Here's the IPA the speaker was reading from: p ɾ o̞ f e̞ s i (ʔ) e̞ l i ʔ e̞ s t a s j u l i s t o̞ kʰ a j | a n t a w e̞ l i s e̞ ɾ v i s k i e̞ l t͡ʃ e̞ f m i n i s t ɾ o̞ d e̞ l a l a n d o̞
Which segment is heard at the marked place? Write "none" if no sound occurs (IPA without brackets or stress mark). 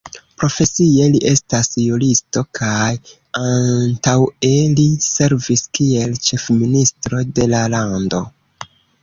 none